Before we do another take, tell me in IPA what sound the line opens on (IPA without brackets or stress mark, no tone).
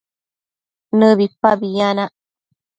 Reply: n